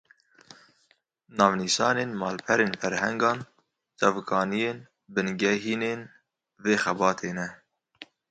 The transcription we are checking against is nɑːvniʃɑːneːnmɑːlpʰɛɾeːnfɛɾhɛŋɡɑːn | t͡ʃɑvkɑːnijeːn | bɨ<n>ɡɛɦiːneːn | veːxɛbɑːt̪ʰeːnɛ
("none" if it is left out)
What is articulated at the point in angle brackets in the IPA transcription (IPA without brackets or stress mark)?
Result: n